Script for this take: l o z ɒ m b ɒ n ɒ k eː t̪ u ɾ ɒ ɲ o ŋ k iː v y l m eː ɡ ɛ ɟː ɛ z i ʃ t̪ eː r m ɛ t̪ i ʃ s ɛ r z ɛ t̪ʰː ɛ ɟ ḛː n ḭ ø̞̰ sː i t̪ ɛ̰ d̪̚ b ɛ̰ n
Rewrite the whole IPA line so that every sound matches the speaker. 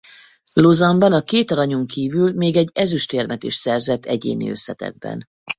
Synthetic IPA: l o z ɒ m b ɒ n ɒ k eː t̪ ɒ ɾ ɒ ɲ o ŋ k iː v y l m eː ɡ ɛ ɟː ɛ z y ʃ t̪ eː r m ɛ t̪ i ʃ s ɛ r z ɛ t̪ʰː ɛ ɟ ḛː n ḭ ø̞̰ sː ɛ t̪ ɛ̰ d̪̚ b ɛ̰ n